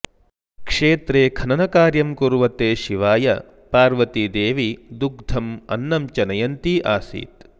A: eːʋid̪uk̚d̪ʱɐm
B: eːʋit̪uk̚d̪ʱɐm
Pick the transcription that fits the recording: A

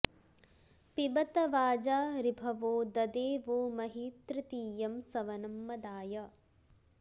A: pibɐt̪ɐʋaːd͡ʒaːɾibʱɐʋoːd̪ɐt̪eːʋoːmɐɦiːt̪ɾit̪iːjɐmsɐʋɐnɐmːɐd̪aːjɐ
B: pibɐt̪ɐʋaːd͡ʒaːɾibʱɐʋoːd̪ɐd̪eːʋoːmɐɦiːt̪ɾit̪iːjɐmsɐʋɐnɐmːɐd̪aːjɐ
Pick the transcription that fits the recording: B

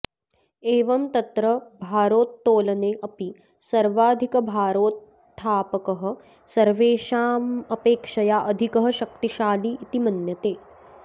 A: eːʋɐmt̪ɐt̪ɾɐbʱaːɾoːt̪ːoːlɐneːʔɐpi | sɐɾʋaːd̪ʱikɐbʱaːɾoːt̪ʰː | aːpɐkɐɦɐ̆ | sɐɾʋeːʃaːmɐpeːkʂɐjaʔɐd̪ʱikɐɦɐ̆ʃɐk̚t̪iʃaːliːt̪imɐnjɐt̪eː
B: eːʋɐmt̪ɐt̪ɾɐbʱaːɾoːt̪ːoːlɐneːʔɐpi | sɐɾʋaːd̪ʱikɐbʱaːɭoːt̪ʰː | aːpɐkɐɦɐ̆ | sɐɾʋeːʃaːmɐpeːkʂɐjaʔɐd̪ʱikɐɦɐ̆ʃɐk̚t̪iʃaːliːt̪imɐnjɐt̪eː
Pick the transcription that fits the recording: A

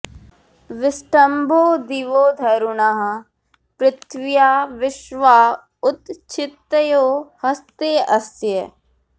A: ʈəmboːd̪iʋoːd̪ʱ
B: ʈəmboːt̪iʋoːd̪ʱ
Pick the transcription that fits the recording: A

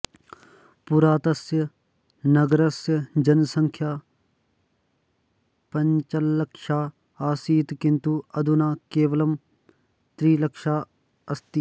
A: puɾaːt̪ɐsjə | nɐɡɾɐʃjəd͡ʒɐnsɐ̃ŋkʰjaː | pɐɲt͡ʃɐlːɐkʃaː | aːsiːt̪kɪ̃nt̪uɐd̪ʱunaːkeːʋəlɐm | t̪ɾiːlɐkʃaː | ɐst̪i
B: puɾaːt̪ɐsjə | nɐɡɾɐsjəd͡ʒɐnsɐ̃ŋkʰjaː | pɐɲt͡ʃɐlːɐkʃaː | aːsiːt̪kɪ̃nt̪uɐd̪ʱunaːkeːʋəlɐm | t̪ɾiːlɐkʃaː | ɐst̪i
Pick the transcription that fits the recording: B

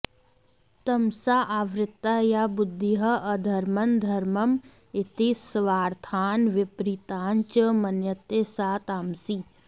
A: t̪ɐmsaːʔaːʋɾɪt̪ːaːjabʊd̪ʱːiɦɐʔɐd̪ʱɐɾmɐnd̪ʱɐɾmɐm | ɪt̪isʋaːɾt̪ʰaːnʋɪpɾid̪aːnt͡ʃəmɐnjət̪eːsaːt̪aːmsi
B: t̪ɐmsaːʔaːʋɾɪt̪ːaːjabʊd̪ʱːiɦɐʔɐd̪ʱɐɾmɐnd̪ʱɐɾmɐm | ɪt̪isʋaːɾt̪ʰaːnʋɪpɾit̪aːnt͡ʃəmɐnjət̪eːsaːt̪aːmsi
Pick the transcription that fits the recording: B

